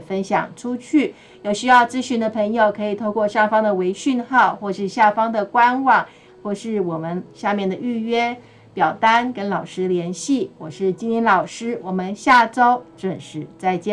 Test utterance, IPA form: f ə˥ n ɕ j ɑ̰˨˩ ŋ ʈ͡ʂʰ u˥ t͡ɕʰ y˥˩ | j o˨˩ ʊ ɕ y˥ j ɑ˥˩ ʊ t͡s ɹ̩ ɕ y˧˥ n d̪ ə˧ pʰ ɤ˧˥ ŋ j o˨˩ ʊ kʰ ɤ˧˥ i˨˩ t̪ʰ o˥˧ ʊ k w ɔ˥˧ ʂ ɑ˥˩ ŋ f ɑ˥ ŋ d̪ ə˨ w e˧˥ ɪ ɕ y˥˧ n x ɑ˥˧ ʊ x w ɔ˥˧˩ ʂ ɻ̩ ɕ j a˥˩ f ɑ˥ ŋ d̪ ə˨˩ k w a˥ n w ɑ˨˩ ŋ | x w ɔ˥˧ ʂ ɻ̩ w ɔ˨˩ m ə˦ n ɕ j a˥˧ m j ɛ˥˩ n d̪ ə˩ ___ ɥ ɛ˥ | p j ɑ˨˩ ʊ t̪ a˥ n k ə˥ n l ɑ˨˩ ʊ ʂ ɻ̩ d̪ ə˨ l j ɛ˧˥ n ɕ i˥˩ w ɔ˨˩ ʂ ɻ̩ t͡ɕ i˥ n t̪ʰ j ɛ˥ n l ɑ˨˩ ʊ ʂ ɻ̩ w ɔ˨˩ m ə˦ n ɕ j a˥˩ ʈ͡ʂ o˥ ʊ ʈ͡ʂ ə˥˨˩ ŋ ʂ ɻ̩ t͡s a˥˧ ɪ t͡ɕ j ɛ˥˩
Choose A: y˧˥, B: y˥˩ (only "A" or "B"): B